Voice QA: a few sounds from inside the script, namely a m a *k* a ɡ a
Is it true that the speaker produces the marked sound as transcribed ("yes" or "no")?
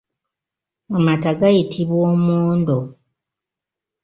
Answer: no